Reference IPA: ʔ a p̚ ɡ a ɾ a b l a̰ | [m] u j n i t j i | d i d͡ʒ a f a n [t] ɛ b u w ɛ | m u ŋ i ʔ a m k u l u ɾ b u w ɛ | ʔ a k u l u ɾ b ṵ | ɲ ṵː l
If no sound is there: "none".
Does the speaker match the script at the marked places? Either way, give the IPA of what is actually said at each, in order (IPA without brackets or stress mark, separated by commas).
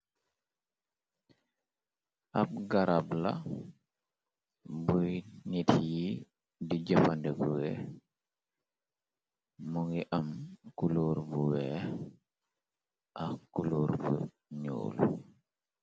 b, d